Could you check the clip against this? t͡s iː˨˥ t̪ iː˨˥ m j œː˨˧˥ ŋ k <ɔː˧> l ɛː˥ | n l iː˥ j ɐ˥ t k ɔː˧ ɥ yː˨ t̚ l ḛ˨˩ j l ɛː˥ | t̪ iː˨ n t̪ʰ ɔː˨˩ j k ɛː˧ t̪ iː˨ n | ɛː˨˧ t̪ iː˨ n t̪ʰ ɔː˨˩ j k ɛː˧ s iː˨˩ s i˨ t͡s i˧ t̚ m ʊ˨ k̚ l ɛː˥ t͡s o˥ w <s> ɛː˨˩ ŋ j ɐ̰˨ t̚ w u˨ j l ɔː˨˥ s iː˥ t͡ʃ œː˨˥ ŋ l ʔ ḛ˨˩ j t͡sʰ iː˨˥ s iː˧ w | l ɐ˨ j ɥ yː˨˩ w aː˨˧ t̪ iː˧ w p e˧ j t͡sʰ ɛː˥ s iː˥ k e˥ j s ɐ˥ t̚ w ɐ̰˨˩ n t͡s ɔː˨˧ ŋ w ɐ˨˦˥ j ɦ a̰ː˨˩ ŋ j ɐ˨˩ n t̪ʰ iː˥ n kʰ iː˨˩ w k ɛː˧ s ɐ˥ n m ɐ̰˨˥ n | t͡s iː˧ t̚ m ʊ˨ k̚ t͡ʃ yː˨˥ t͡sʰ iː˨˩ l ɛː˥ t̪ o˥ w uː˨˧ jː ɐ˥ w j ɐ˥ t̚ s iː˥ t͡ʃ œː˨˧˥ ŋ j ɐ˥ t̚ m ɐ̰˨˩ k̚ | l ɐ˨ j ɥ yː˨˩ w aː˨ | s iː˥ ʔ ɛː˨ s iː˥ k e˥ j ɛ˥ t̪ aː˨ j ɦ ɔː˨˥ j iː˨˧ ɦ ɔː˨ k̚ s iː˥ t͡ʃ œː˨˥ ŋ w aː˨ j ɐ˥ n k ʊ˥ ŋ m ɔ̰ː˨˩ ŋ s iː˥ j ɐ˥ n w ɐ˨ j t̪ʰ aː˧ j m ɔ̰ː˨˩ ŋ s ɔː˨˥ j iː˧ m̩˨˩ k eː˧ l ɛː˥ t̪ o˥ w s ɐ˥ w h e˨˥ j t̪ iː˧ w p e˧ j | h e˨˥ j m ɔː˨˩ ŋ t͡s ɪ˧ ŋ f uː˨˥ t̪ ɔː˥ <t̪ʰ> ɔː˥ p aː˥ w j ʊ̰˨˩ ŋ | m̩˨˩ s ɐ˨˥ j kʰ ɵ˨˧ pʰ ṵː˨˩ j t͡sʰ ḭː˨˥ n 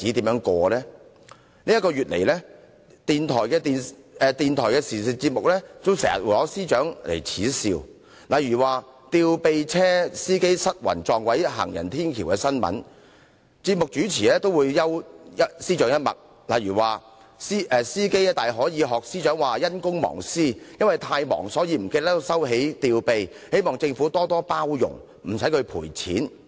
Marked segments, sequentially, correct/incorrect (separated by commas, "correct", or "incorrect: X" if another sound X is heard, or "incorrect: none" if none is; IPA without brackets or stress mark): correct, correct, incorrect: t̪